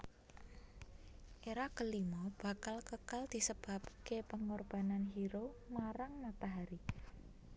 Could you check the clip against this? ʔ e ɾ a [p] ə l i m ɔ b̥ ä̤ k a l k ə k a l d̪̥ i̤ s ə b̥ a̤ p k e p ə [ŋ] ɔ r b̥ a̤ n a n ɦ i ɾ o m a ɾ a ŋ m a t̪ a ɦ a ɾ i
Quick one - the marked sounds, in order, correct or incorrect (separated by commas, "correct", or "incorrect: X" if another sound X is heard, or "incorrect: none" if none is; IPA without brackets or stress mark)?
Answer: incorrect: k, correct